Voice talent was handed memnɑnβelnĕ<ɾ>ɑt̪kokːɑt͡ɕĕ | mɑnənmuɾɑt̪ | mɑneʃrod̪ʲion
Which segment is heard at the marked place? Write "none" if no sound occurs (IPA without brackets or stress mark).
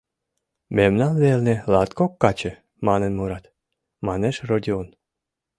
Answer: l